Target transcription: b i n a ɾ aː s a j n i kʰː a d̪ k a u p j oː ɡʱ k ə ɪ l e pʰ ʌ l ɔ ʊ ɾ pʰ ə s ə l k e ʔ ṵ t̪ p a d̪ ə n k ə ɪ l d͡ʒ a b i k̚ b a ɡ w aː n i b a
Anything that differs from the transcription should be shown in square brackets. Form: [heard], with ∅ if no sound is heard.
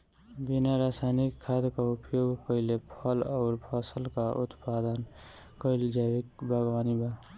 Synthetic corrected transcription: b i n a ɾ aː s a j n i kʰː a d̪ k a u p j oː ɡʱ k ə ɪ l e pʰ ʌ l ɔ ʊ ɾ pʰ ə s ə l k [a] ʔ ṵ t̪ p a d̪ ə n k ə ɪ l d͡ʒ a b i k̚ b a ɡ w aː n i b a